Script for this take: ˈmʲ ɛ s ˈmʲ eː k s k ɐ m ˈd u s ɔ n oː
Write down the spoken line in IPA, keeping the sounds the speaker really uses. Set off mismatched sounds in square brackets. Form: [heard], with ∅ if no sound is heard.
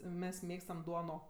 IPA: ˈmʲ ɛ s ˈmʲ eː k s [t] ɐ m ˈd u [∅] ɔ n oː